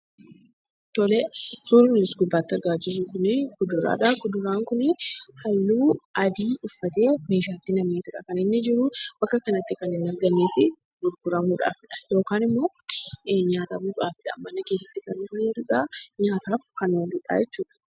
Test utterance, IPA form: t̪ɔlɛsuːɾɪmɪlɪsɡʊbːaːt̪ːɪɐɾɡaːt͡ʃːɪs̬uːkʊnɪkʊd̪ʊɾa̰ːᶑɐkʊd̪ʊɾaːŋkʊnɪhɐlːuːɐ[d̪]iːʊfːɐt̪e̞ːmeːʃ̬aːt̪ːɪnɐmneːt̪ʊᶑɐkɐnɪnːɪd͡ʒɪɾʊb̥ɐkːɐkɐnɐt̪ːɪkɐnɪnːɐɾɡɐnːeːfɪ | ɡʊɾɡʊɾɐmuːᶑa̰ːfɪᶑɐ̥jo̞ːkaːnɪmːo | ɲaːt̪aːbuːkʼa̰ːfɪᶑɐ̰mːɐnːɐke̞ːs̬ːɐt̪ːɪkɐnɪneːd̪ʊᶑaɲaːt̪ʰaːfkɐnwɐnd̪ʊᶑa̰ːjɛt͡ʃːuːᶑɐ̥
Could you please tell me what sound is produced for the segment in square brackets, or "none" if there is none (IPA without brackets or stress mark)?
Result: d̪